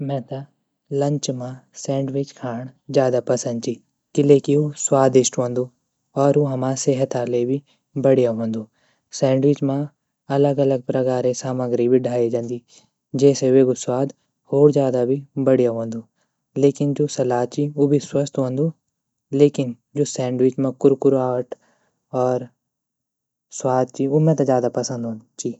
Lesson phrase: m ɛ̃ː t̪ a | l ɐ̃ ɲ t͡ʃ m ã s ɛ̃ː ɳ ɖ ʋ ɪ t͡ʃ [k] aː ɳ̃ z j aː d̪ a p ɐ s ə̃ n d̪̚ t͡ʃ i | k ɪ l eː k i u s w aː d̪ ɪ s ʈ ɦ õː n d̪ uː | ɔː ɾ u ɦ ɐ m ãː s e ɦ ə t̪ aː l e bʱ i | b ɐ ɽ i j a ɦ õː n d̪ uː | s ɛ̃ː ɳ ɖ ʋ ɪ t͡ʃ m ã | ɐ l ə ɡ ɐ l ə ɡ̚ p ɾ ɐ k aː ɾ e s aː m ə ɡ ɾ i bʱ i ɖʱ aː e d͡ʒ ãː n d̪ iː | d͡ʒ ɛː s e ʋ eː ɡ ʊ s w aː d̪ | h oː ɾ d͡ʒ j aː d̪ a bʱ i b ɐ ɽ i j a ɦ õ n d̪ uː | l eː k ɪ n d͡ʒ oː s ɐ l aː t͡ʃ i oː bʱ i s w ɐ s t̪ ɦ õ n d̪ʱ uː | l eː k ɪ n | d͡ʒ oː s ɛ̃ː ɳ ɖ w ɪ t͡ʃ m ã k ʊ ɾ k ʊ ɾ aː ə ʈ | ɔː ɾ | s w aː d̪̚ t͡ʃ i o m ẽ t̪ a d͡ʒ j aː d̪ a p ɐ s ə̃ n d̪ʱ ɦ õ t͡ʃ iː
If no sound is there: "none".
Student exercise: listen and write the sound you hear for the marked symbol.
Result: kʰ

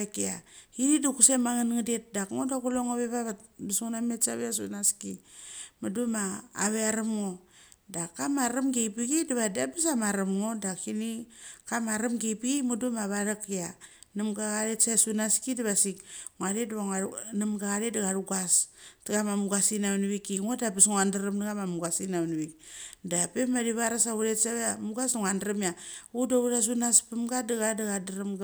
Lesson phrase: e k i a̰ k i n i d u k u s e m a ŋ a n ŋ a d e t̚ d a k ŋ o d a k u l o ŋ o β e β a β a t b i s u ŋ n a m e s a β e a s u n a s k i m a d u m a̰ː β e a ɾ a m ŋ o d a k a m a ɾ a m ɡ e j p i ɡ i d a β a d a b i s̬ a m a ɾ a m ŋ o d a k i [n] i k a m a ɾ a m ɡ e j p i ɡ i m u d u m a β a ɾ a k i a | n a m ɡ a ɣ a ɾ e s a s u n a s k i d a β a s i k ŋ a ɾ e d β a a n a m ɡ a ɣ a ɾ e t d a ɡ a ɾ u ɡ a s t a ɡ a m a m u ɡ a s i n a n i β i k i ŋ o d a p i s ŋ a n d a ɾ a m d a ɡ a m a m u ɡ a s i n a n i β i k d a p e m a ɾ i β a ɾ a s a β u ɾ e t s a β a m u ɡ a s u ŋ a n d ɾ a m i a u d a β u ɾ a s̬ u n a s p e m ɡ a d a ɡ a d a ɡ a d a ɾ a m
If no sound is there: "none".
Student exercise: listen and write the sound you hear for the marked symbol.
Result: n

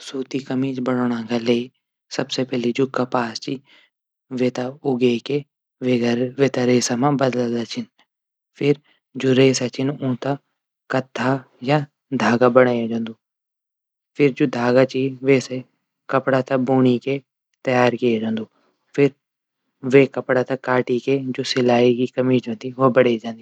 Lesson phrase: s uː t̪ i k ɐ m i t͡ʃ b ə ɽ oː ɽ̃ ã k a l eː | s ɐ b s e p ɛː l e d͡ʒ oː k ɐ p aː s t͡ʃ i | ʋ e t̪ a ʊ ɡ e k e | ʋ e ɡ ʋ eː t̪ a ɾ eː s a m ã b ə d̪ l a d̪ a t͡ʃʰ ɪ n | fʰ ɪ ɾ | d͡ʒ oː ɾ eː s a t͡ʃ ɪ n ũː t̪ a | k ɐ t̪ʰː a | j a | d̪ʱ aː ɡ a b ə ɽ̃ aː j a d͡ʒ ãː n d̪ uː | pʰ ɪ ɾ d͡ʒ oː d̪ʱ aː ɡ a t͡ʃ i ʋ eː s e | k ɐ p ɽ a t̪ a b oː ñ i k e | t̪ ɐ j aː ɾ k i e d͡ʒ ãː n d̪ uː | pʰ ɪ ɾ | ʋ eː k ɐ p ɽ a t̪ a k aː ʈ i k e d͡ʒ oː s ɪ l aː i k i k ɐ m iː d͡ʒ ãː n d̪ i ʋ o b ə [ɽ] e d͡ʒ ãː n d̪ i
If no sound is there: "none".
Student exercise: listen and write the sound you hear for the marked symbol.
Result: ɽ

